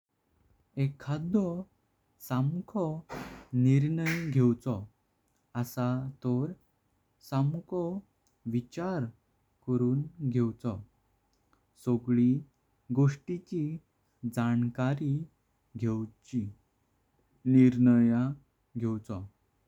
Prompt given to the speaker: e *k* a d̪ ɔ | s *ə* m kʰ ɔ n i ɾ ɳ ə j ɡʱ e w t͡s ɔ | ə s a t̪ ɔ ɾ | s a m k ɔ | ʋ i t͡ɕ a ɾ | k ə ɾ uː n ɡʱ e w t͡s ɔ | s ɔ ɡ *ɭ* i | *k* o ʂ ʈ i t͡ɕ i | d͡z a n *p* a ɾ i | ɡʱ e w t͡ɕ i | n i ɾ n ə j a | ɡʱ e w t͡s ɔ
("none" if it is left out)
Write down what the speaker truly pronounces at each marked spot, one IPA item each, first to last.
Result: kʰ, a, ɭ, ɡ, k

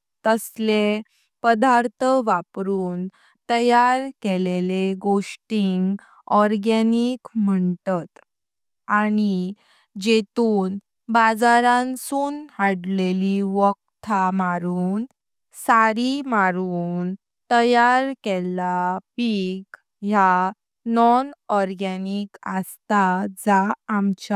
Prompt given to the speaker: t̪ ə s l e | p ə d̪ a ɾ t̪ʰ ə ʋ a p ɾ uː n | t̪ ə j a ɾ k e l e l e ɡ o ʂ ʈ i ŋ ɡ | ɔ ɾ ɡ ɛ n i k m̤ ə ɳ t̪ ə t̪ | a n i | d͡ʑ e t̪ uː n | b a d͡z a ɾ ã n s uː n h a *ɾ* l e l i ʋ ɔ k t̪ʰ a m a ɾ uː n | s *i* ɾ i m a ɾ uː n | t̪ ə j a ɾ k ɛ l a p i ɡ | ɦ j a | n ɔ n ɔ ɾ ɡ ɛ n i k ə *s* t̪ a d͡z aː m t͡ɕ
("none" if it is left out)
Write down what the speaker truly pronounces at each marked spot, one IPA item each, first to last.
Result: ɽ, a, s

